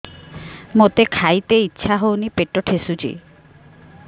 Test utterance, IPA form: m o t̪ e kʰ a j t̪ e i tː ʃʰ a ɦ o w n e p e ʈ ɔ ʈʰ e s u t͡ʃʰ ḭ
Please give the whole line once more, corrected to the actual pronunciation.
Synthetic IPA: m o t̪ e kʰ a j t̪ e i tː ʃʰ a ɦ o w n i p e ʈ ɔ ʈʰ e s u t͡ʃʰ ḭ